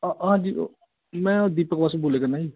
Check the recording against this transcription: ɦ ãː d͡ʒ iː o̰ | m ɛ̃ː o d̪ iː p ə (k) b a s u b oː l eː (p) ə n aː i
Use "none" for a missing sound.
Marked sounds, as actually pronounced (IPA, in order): k, k

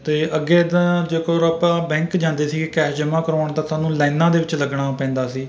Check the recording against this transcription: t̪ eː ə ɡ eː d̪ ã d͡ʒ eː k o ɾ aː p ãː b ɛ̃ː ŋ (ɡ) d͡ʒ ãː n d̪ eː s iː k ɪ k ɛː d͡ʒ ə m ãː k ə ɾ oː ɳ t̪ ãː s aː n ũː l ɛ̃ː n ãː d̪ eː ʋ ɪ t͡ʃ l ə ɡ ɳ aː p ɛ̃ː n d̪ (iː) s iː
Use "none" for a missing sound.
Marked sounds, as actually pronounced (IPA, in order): k, aː

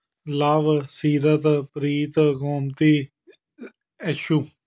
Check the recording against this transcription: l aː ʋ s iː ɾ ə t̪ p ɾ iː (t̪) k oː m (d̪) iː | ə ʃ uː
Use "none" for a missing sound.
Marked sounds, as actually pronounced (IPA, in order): t̪, t̪

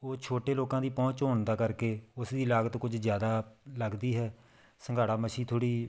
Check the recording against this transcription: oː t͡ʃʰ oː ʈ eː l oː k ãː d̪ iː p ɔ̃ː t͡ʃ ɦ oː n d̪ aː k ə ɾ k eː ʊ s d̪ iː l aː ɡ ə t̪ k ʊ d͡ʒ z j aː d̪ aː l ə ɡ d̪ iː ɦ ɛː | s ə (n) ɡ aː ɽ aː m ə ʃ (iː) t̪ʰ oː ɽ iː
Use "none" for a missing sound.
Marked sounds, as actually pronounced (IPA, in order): ŋ, iː

